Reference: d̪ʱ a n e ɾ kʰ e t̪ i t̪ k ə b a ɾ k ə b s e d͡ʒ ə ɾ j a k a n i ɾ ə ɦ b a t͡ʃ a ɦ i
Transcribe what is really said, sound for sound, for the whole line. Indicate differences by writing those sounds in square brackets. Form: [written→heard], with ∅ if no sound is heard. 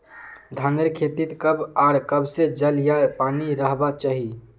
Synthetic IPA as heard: d̪ʱ a n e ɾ kʰ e t̪ i t̪ k ə b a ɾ k ə b s e d͡ʒ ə [ɾ→l] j a [k→p] a n i ɾ ə ɦ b a t͡ʃ a ɦ i